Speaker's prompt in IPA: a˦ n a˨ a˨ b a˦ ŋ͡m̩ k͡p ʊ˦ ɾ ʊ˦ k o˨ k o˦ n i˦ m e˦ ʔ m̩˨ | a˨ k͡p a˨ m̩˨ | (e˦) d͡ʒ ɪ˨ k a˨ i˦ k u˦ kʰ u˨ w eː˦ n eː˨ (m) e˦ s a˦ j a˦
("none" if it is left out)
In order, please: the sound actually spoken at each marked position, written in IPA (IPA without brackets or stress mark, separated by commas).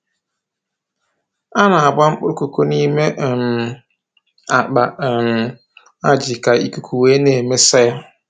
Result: a˦, m